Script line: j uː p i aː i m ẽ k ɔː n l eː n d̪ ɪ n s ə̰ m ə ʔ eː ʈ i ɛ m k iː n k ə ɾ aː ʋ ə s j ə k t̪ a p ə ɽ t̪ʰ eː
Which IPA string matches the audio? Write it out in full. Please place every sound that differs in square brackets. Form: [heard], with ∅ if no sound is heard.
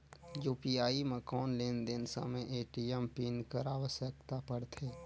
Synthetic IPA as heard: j uː p i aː i m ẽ k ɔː n l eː n d̪ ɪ n s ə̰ m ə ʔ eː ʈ i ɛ m [p] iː n k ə ɾ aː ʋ ə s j ə k t̪ a p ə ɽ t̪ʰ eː